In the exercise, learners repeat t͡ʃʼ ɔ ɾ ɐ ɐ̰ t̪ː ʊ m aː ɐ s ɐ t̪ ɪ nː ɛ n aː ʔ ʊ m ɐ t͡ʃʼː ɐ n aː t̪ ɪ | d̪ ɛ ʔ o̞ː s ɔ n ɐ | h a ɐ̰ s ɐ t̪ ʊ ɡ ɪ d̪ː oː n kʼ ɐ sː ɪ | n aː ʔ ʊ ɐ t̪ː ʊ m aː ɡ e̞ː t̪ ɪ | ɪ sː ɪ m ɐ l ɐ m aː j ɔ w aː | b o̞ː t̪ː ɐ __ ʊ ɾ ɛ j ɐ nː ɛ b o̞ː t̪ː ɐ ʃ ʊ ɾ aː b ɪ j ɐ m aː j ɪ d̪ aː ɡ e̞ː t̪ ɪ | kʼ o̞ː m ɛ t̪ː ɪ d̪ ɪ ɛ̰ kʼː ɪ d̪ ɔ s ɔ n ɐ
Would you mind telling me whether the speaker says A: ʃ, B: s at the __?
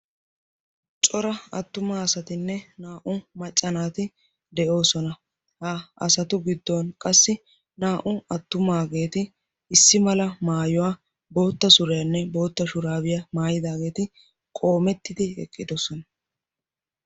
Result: B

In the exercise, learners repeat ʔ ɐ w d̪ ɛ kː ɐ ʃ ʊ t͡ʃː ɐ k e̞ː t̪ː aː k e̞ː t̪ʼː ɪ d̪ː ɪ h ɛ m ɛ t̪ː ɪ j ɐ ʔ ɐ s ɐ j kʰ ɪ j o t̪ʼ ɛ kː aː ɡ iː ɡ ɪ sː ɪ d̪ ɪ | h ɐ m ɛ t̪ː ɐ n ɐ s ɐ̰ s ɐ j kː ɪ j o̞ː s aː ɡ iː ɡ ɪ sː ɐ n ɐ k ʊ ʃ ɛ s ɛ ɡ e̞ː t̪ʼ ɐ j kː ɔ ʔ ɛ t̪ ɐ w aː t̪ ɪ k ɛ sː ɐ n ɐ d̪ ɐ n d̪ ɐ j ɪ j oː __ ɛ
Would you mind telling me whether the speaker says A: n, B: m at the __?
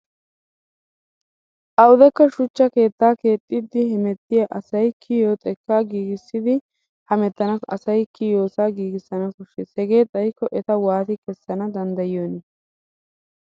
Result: A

